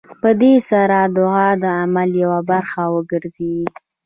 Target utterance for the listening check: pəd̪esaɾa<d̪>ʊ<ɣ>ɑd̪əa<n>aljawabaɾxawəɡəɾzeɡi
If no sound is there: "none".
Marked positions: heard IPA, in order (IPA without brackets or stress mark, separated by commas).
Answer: d̪, ɣ, m